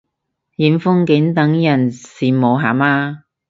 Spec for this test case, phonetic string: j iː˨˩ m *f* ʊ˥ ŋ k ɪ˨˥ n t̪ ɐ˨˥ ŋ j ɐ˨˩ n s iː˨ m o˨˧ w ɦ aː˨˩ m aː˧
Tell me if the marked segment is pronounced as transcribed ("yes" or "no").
yes